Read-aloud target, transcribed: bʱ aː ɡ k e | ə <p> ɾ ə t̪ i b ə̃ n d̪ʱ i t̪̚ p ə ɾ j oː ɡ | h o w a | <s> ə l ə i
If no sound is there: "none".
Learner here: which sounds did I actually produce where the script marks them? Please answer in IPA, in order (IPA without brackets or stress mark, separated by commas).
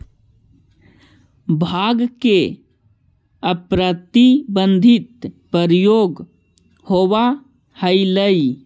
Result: p, h